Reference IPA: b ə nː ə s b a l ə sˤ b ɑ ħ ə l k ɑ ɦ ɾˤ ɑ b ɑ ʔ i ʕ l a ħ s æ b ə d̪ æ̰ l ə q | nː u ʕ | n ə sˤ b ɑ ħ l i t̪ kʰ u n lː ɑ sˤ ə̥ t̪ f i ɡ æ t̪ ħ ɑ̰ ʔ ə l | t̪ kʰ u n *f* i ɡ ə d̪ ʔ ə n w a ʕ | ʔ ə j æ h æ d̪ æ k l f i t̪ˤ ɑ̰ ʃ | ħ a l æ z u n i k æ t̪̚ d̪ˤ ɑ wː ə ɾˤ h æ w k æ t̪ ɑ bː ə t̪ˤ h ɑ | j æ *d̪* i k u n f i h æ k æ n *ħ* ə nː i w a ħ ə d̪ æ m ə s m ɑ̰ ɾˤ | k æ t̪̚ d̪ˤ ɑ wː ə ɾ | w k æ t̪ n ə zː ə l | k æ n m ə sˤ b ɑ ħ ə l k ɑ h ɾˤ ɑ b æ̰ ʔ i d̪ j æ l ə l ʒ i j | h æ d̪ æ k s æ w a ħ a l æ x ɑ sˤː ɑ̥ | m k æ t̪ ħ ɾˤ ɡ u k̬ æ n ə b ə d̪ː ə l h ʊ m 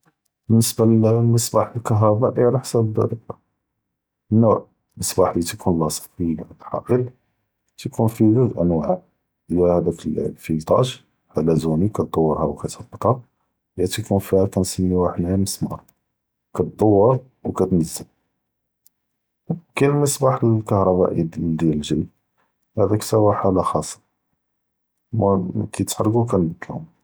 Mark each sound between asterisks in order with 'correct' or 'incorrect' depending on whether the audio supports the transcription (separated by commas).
correct, incorrect, incorrect